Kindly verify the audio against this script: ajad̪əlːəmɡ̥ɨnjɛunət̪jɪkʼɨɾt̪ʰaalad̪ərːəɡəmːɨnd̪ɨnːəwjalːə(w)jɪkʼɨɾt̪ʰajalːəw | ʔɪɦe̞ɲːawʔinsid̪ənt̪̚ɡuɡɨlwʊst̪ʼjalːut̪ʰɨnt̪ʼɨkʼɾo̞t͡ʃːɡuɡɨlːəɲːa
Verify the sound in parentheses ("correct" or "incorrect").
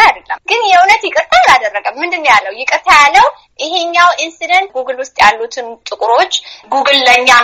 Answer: correct